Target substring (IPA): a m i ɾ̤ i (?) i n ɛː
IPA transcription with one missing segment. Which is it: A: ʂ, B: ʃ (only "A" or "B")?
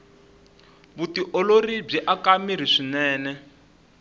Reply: A